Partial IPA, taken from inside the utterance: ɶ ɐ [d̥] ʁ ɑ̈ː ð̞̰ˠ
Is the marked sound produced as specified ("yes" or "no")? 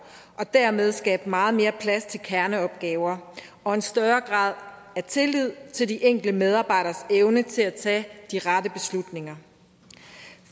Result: no